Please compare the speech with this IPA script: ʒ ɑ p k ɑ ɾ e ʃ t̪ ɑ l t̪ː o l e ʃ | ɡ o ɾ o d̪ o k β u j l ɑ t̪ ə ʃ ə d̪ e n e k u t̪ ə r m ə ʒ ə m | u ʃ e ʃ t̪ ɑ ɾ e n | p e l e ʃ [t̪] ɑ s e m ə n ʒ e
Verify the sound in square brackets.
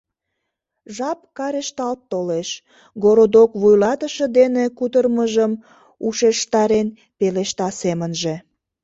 correct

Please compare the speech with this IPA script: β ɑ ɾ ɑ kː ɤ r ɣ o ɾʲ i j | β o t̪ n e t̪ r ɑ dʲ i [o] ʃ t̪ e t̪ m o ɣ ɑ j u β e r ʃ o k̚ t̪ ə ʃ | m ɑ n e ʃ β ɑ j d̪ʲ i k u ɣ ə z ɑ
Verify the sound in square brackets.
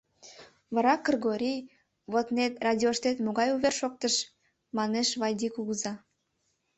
correct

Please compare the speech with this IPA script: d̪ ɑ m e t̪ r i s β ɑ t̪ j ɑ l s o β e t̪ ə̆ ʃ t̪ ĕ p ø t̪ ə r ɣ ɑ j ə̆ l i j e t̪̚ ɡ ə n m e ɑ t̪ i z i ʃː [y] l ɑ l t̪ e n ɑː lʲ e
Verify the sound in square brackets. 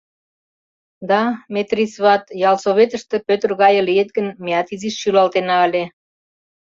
correct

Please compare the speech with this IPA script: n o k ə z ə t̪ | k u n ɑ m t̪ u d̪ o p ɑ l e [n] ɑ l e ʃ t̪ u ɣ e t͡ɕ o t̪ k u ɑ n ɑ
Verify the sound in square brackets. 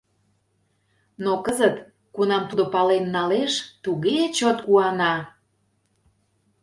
incorrect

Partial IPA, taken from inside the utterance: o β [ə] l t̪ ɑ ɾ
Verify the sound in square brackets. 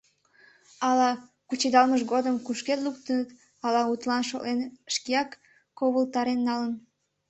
correct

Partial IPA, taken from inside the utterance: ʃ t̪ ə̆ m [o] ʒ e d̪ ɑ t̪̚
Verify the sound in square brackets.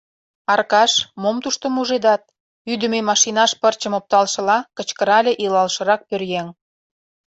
incorrect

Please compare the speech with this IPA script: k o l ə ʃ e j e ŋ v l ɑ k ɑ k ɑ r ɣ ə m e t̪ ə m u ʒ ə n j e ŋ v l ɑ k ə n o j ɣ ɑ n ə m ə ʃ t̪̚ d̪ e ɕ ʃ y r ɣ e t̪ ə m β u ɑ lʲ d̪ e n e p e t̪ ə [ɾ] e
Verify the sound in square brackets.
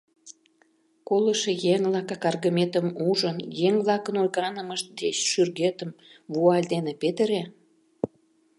correct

